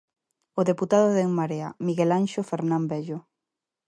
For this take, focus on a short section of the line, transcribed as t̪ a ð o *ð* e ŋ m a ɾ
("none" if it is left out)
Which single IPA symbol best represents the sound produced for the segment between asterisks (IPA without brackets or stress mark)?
ð